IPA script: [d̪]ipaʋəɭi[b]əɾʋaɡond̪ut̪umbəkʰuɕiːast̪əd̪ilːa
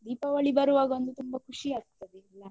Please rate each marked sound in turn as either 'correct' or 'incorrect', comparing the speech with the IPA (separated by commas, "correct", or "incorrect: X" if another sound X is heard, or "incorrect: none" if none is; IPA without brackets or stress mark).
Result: correct, correct